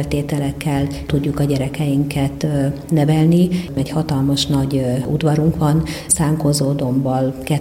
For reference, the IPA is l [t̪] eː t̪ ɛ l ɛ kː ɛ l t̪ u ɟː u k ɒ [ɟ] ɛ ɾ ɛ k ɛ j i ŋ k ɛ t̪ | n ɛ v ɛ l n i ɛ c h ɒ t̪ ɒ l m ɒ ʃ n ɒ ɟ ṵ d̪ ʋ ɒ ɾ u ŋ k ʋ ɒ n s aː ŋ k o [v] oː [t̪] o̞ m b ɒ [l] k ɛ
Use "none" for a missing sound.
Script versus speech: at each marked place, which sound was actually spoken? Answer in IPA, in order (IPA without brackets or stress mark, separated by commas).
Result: t̪, ɟ, z, d̪, l